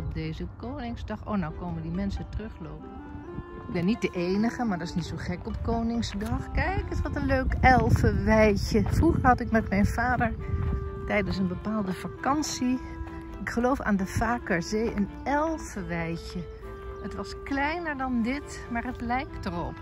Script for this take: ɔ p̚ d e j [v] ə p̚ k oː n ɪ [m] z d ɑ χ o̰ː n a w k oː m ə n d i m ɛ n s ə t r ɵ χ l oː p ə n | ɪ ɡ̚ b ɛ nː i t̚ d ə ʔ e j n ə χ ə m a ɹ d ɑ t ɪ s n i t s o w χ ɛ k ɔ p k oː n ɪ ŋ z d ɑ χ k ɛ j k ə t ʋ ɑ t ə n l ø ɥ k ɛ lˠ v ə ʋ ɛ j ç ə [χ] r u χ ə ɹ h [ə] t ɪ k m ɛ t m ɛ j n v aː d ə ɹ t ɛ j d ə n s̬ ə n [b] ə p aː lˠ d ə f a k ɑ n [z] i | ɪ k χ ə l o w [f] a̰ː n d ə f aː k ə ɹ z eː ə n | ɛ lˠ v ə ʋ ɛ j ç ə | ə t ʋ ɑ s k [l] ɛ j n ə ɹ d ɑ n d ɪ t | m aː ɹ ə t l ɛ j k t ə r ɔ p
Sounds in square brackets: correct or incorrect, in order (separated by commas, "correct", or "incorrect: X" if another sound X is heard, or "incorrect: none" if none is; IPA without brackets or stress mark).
incorrect: z, incorrect: ŋ, incorrect: f, incorrect: ɑ, correct, incorrect: s, correct, correct